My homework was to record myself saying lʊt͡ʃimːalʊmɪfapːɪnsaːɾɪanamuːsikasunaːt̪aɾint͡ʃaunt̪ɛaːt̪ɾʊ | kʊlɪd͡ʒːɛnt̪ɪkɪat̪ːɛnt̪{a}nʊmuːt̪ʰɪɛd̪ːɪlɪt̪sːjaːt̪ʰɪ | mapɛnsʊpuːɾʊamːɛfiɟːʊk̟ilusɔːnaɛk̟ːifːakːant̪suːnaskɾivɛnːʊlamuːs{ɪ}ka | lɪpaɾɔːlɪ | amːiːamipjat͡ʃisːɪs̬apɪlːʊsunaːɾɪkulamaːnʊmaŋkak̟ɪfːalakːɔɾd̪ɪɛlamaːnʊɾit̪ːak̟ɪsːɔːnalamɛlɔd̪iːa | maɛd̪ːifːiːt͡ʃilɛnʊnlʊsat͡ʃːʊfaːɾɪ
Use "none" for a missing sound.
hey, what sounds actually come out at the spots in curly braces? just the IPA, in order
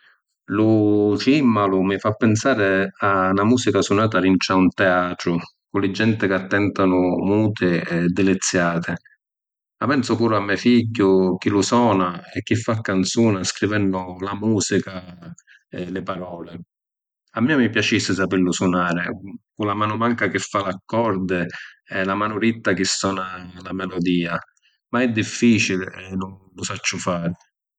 a, i

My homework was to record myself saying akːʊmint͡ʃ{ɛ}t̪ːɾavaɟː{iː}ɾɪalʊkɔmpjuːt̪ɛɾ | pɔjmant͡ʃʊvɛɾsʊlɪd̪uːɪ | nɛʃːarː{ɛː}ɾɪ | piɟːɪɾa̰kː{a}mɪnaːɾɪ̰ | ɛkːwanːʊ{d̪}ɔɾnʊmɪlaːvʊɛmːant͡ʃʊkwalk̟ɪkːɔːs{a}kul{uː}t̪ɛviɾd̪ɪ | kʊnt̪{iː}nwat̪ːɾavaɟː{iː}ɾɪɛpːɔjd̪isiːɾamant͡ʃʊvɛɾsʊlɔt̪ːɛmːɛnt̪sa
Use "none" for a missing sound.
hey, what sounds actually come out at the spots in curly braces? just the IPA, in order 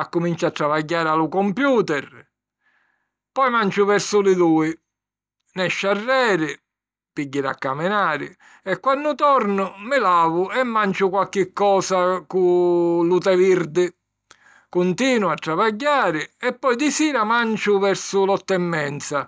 a, aː, ɛː, a, t̪, a, u, iː, aː

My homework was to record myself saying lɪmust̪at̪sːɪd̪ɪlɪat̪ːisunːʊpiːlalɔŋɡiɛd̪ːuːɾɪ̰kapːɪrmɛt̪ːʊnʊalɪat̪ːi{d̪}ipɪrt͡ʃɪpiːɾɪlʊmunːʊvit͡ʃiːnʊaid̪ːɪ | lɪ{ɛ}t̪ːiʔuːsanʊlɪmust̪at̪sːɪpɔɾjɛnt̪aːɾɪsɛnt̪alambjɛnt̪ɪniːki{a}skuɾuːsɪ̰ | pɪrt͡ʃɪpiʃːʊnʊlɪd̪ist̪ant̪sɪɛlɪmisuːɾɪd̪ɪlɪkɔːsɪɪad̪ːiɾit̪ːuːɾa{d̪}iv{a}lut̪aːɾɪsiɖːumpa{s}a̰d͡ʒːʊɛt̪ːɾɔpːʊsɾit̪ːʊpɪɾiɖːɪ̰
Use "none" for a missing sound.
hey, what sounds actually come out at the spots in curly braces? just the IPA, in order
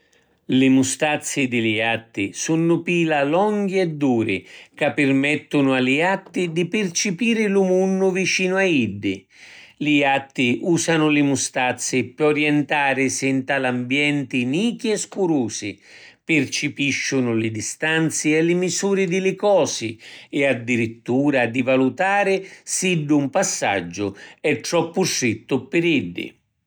d̪, a, ɛ, d̪, a, sː

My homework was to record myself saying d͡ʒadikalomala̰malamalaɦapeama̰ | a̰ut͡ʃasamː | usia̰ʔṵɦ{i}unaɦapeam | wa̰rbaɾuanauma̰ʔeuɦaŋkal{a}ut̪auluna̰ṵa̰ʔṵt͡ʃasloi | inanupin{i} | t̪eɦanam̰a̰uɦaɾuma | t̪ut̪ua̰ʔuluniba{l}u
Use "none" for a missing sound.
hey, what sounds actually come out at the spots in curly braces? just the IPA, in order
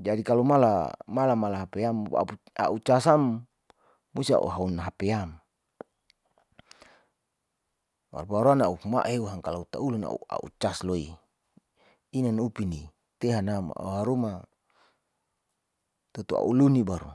a, a, i, ɾ

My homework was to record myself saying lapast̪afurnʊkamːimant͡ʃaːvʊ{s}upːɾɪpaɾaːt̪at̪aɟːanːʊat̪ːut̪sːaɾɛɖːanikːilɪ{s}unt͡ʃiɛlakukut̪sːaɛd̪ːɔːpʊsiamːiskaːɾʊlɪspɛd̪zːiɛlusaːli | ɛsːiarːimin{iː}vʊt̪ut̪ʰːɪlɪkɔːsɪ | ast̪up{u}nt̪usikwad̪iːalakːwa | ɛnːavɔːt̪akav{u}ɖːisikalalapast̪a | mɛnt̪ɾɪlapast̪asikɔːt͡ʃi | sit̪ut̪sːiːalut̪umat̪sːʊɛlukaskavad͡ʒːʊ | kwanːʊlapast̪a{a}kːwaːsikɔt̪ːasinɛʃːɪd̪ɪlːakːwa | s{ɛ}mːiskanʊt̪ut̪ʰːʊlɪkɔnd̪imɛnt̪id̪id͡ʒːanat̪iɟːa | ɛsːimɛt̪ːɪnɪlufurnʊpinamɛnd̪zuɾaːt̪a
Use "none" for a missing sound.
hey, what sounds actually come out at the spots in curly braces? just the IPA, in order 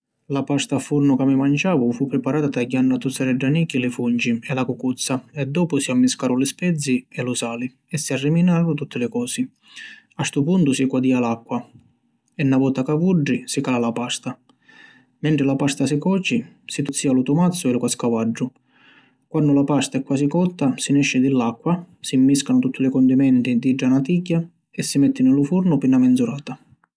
f, f, aː, u, u, ɛ, i

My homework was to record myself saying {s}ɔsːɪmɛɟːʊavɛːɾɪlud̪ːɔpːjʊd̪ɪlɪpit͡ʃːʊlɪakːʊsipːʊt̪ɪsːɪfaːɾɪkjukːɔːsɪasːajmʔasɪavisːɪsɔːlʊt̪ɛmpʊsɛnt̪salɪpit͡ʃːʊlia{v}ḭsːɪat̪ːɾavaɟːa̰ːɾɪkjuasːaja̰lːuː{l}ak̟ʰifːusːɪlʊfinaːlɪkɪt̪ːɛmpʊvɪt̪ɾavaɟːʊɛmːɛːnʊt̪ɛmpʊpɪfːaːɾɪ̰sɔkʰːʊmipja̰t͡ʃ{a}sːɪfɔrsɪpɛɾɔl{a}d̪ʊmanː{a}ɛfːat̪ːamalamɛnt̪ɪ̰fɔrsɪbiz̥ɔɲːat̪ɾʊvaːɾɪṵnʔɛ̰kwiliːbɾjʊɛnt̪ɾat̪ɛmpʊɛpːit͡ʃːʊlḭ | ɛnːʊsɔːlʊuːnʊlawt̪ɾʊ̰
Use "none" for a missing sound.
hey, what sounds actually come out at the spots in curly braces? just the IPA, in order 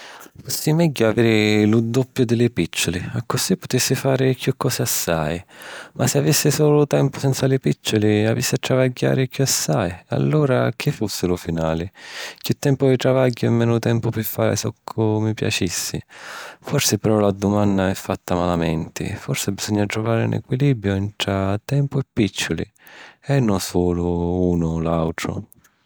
f, v, ɾ, i, a, a

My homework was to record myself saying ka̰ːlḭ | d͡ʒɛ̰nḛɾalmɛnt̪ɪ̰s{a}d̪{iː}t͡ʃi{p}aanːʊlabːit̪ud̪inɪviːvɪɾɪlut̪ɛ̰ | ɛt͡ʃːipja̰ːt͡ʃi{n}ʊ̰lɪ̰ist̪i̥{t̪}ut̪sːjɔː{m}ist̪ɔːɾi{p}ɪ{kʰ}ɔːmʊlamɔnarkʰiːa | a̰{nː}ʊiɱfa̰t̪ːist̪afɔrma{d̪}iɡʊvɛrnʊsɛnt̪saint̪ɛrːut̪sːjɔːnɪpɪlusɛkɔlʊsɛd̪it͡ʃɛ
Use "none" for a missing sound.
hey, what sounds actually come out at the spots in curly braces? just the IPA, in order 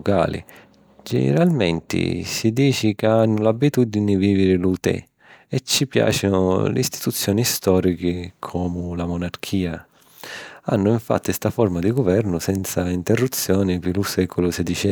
i, iː, k, n, t̪, n, k, kʰ, nː, d̪

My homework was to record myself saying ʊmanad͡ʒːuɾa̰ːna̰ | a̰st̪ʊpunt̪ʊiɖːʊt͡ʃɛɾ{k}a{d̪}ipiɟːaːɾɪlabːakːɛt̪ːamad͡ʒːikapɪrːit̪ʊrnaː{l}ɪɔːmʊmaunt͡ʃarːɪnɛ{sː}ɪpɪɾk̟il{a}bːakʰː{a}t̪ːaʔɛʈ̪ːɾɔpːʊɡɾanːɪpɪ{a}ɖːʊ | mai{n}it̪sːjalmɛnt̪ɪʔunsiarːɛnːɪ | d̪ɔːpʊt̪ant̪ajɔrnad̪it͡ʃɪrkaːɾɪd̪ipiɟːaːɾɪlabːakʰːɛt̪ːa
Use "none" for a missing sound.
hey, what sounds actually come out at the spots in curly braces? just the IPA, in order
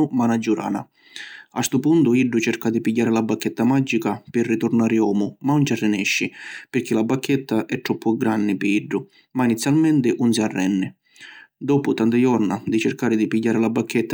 k, d̪, ɾ, ʃː, a, ɛ, i, n

